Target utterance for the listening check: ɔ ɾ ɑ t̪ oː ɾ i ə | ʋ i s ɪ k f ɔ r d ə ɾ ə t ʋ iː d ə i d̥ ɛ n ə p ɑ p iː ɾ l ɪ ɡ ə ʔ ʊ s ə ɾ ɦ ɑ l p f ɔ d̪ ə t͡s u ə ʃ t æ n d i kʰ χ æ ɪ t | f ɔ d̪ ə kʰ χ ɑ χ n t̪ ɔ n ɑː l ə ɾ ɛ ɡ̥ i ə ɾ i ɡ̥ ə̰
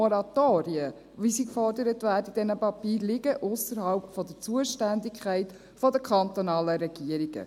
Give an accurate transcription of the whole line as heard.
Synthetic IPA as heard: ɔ ɾ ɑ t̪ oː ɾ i ə | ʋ i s i k f ɔ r d ə ɾ ə t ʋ æː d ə i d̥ ɛ n ə p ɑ p iː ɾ l ɪ ɡ ə ʔ ʊ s ə ɾ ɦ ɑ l p f ɔ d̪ ə t͡s u ə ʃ t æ n d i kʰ χ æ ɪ t | f ɔ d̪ ə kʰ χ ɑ n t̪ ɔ n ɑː l ə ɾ ɛ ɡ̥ i ə ɾ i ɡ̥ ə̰